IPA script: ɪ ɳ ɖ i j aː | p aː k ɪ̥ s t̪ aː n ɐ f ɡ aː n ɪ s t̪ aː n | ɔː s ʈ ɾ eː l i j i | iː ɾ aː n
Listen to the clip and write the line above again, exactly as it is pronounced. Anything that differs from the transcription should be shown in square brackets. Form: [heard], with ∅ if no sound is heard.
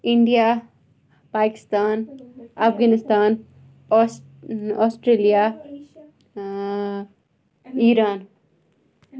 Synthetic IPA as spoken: ɪ ɳ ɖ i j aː | p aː k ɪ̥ s t̪ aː n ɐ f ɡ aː n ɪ s t̪ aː n | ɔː s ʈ ɾ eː l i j [a] | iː ɾ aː n

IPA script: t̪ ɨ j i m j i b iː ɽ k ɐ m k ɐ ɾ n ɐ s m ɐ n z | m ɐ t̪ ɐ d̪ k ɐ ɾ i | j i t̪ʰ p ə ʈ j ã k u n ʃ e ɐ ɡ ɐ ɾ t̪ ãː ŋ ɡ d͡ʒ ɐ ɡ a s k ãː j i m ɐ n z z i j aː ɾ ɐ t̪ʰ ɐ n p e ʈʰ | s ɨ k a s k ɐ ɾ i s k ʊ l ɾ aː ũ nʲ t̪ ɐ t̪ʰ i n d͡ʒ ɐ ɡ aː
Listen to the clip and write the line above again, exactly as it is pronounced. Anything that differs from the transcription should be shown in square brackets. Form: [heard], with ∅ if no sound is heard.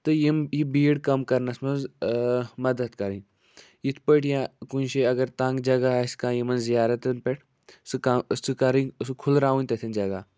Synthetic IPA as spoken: t̪ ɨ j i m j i b iː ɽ k ɐ m k ɐ ɾ n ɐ s m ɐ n z | m ɐ [d̪] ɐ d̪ k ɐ ɾ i | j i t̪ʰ p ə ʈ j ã k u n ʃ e ɐ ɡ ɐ ɾ t̪ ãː ŋ ɡ d͡ʒ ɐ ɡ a s k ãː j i m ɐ n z z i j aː ɾ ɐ [t̪] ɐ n p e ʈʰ | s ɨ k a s k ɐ ɾ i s [kʰ] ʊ l ɾ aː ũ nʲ t̪ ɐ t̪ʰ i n d͡ʒ ɐ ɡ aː

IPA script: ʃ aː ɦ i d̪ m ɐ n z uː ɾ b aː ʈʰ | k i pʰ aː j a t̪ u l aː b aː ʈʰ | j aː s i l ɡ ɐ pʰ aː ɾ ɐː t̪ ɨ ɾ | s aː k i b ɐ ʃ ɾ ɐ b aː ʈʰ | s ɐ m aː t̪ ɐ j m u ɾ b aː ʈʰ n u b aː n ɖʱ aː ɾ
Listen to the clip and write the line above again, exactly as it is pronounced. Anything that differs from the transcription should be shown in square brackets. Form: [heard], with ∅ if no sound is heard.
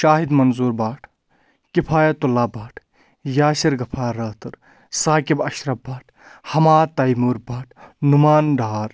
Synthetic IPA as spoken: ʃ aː ɦ i d̪ m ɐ n z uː ɾ b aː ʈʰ | k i pʰ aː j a t̪ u l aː b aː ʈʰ | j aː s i [ɾ] ɡ ɐ pʰ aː ɾ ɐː t̪ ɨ ɾ | s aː k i b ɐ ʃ ɾ ɐ b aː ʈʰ | [h] ɐ m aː t̪ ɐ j m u ɾ b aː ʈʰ n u [m] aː n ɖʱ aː ɾ

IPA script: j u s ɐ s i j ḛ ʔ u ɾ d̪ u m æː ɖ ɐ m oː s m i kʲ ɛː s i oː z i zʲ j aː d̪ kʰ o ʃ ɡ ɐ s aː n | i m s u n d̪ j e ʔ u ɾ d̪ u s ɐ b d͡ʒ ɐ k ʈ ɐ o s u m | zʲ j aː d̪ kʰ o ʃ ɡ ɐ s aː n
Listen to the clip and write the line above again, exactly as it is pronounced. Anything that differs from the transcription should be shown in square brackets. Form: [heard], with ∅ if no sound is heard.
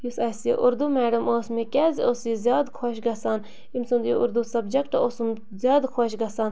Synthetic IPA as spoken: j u s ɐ s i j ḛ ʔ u ɾ d̪ u m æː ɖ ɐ m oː s m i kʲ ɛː [z] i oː [s] i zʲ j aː d̪ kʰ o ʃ ɡ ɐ s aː n | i m s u n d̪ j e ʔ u ɾ d̪ u s ɐ b d͡ʒ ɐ k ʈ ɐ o s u m | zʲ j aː d̪ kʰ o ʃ ɡ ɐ s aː n

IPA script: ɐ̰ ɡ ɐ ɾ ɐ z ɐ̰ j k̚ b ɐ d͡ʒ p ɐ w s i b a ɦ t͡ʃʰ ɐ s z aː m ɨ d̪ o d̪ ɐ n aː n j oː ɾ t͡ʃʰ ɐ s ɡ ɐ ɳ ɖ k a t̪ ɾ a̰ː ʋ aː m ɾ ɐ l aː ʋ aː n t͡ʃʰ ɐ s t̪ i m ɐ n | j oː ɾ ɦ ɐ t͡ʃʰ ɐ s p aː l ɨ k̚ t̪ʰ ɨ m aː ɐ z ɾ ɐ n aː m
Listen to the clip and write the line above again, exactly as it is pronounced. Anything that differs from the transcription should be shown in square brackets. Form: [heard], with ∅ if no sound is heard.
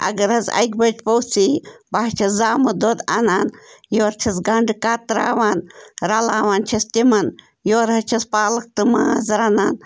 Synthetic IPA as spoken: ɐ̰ ɡ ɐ ɾ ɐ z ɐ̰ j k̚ b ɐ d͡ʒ p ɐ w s i b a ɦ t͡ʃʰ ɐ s z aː m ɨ d̪ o d̪ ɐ n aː n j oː ɾ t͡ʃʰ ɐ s ɡ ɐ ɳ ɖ k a t̪ ɾ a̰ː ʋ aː [n] ɾ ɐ l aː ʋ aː n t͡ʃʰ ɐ s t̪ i m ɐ n | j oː ɾ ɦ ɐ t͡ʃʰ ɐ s p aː l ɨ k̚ [t̪] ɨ m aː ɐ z ɾ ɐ n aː [n]

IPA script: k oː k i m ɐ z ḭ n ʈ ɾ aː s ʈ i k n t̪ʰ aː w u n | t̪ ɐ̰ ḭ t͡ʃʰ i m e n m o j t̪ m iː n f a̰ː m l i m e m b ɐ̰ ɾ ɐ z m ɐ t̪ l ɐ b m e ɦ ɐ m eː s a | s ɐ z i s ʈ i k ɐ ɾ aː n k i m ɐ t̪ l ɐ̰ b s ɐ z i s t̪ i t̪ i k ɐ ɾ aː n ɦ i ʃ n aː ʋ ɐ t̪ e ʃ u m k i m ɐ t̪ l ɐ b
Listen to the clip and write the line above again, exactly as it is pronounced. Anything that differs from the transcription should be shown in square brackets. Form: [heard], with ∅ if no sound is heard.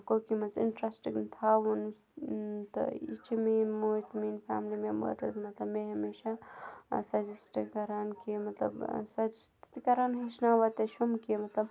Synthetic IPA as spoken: k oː k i m ɐ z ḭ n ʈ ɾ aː s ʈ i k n t̪ʰ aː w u n | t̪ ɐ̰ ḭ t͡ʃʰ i m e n m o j t̪ m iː n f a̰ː m l i m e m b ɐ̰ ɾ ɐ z m ɐ t̪ l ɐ b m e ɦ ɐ m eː [ʃ] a | s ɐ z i s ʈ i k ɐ ɾ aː n k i m ɐ t̪ l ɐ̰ b s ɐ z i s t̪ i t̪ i k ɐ ɾ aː n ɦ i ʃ n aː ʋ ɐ t̪ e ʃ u m k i m ɐ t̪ l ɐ b

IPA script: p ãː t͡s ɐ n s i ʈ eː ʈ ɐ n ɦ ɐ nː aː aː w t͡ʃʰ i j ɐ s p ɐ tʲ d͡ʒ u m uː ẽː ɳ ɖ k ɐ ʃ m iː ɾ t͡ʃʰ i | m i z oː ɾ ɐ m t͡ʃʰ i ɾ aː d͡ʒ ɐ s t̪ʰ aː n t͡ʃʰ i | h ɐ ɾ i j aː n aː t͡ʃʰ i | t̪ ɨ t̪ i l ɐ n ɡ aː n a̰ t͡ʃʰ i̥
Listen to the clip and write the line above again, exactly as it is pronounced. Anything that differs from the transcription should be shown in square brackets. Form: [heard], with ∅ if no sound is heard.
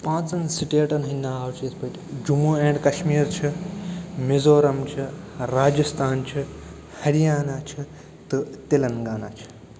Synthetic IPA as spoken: p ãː t͡s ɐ n s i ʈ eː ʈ ɐ n ɦ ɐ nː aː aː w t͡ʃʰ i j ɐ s p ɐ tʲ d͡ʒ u m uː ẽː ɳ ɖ k ɐ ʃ m iː ɾ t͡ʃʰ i | m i z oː ɾ ɐ m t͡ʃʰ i ɾ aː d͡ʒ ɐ s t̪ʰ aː n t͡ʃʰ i | h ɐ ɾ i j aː n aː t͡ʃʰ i | t̪ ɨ t̪ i l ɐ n ɡ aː n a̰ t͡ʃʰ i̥

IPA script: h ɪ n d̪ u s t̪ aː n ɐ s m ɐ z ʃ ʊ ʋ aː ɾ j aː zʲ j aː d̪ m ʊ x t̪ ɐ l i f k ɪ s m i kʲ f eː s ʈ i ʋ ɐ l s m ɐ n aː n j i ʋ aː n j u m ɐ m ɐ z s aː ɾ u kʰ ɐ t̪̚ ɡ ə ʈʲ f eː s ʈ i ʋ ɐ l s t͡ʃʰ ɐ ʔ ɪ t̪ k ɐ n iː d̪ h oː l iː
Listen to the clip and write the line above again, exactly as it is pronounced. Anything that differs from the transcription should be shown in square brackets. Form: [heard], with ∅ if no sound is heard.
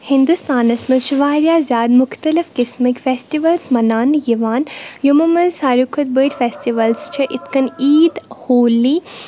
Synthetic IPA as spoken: h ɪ n d̪ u s t̪ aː n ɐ s m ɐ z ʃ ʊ ʋ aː ɾ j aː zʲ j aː d̪ m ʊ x t̪ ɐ l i f k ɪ s m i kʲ f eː s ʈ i ʋ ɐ l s m ɐ n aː n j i ʋ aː n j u m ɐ m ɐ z s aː ɾ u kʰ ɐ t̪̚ [b] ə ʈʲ f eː s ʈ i ʋ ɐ l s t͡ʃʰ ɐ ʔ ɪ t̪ k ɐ n iː d̪ h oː l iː

